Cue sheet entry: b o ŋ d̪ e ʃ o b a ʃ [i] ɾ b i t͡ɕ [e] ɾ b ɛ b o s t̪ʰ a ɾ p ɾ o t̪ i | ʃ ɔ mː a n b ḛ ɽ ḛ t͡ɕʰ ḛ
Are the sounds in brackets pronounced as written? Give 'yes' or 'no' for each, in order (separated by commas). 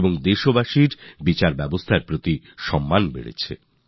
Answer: yes, no